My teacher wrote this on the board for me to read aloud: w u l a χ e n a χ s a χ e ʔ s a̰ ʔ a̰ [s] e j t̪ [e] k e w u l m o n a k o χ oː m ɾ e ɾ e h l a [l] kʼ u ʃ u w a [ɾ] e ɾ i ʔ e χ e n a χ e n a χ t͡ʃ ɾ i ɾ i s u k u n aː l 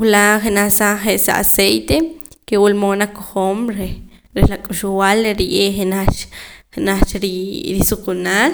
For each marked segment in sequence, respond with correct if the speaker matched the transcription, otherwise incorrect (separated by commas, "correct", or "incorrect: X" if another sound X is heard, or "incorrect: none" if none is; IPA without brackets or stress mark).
correct, correct, incorrect: none, incorrect: l